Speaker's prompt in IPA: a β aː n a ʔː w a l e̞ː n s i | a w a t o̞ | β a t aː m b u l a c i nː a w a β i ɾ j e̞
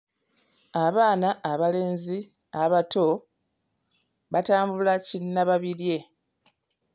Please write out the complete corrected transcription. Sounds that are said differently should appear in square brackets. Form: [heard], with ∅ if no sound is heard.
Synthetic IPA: a β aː n a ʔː [β] a l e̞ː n [z] i | a [β] a t o̞ | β a t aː m b u l a c i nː a [β] a β i ɾ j e̞